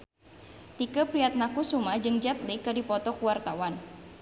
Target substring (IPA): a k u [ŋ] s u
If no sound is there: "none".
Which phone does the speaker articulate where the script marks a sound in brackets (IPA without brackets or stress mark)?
none